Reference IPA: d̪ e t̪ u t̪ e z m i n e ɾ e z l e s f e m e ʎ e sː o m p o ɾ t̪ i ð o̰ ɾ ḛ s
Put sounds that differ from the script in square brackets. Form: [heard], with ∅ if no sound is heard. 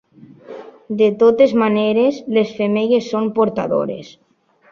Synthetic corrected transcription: d̪ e t̪ [o] t̪ e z m [a] n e ɾ e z l e s f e m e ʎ e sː o m p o ɾ t̪ [a] ð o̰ ɾ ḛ s